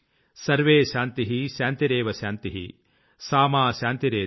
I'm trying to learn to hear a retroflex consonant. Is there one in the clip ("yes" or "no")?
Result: no